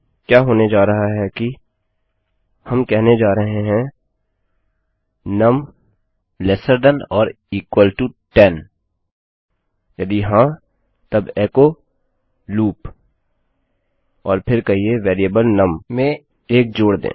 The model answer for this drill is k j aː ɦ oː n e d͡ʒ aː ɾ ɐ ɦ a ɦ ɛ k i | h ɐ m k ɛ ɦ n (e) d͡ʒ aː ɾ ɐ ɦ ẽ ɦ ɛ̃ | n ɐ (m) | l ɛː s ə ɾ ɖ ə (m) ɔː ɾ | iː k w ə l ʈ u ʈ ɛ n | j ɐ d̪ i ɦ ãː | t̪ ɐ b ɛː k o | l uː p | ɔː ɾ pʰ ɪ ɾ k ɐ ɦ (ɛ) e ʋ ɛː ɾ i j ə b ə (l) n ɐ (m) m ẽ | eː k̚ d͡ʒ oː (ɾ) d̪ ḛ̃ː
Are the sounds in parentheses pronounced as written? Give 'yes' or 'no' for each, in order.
yes, yes, no, no, yes, yes, no

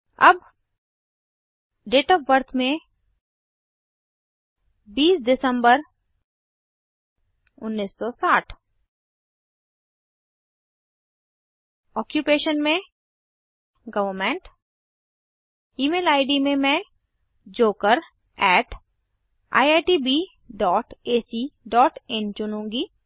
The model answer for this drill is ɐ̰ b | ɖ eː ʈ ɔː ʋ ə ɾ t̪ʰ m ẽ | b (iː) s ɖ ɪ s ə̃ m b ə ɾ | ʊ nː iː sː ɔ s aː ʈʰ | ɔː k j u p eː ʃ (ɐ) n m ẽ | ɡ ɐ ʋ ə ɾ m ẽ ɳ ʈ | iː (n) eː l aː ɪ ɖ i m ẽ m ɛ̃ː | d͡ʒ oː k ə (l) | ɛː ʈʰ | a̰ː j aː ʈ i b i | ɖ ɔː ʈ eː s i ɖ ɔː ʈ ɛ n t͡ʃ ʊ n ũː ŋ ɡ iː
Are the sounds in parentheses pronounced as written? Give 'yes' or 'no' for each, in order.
yes, no, no, no

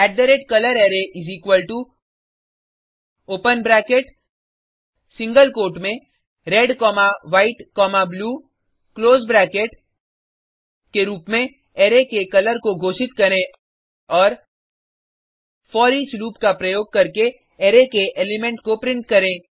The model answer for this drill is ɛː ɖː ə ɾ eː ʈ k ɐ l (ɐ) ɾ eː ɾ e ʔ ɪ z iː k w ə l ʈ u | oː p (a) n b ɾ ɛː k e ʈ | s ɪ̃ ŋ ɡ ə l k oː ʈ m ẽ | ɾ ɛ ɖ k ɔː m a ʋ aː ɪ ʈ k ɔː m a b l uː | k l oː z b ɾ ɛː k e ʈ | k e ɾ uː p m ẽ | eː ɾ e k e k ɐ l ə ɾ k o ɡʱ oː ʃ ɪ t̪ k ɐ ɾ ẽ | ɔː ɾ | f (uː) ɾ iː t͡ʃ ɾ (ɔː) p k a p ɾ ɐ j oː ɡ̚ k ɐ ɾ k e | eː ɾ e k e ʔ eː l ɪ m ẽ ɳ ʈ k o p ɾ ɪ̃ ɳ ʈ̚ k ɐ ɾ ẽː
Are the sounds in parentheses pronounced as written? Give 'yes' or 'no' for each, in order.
no, no, no, no

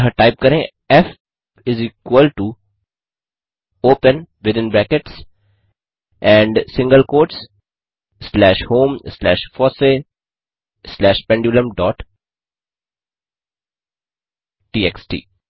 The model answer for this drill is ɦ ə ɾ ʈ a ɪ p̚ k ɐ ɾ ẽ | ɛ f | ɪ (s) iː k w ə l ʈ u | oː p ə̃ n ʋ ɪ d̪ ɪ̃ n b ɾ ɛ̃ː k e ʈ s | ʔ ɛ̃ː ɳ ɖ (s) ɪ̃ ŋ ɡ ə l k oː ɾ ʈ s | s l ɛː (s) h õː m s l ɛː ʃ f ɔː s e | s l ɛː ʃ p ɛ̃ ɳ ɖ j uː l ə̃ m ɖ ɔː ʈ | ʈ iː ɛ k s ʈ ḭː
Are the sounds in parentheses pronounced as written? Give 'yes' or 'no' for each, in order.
no, yes, no

